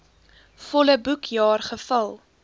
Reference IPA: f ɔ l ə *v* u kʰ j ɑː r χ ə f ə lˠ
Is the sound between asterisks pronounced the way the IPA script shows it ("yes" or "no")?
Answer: no